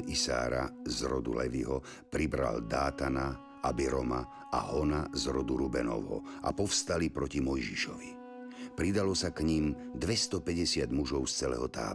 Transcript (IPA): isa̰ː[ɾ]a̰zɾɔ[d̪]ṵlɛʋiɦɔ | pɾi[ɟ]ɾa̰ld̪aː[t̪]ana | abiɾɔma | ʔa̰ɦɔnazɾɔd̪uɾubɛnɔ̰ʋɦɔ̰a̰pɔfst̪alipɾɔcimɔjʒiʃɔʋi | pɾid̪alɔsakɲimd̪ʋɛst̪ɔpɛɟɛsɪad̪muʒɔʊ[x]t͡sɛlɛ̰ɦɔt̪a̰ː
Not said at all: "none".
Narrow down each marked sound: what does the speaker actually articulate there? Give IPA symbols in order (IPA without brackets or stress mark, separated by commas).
ɾ, d̪, b, t̪, s